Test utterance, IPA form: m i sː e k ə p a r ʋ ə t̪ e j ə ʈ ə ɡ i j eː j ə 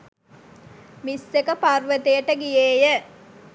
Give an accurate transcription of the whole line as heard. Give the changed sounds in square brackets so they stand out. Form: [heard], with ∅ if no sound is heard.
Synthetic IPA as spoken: m i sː e k ə p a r ʋ ə t̪ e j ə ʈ ə ɡ i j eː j ə